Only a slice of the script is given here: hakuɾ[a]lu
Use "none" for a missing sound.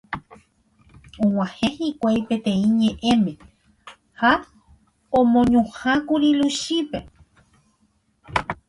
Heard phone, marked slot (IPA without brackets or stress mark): i